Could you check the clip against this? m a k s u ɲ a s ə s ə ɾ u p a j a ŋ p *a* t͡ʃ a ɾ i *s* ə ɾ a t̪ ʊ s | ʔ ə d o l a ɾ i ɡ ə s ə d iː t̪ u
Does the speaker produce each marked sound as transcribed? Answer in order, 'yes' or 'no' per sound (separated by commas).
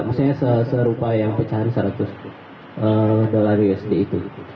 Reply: no, yes